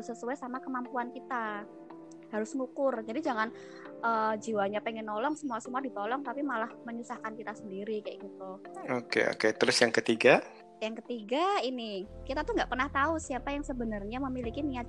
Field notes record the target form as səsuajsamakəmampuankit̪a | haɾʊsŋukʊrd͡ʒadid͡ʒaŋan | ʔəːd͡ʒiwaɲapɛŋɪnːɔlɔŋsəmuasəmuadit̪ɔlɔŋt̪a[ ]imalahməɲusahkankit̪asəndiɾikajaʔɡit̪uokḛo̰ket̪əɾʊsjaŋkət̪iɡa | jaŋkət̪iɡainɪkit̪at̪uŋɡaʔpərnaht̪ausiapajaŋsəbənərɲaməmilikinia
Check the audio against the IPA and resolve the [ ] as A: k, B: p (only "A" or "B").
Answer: B